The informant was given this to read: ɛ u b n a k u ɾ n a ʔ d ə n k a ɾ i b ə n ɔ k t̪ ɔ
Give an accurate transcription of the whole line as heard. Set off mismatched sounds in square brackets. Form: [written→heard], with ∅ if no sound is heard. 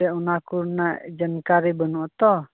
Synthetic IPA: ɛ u [b→∅] n a k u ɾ n a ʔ [d→d͡ʒ] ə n k a ɾ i b ə n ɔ [k→ʔ] t̪ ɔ